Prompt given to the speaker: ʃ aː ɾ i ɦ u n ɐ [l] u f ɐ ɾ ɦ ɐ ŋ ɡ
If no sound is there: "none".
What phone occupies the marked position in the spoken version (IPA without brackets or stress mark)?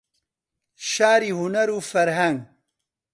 ɾ